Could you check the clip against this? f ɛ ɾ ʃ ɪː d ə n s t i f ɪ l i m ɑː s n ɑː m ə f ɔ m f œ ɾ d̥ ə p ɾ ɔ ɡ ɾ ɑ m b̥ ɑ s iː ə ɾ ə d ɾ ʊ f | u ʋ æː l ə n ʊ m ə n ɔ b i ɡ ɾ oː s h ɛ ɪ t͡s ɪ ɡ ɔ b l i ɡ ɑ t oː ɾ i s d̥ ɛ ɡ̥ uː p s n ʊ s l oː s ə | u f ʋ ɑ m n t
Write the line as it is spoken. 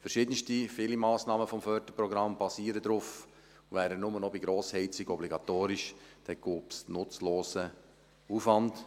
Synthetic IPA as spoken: f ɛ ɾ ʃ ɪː d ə n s t i f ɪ l i m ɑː s n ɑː m ə f ɔ m f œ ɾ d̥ ə p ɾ ɔ ɡ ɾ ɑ m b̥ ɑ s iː ə ɾ ə d ɾ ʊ f | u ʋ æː ɾ ə n ʊ m ə n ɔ b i ɡ ɾ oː s h ɛ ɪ t͡s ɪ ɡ ɔ b l i ɡ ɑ t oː ɾ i ʃ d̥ ɛ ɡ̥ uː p s n ʊ t͡s l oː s ə | u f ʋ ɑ n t